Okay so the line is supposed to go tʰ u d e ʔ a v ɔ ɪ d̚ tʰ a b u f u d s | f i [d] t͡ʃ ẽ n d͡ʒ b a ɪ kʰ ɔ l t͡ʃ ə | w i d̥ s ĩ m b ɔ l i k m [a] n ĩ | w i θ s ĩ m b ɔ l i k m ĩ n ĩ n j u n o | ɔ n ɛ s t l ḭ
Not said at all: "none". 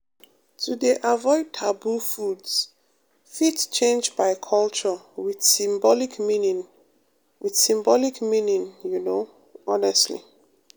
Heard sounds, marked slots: t, i

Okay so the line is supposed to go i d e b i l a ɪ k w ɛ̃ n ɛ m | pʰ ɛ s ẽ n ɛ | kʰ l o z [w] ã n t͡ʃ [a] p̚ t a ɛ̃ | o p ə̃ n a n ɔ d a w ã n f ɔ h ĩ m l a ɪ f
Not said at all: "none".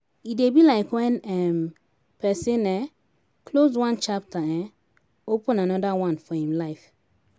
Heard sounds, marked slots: w, a

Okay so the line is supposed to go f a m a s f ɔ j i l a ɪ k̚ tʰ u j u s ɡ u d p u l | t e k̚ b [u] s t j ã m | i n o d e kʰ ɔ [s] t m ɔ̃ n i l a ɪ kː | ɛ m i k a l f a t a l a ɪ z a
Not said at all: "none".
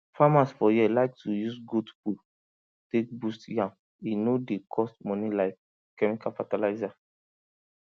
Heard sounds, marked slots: u, s

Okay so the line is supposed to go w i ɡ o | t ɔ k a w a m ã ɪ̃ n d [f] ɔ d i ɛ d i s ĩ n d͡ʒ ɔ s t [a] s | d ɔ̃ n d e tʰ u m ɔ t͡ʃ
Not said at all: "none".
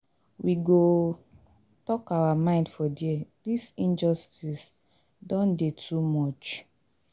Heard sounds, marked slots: f, i

